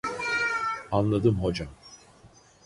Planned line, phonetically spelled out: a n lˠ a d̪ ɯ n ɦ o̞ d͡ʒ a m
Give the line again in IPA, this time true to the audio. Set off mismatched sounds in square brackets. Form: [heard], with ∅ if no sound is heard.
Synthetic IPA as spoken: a n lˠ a d̪ ɯ [m] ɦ o̞ d͡ʒ a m